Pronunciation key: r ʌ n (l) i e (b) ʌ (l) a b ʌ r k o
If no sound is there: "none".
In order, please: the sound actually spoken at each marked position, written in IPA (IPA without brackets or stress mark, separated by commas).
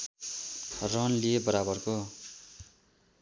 l, b, ɾ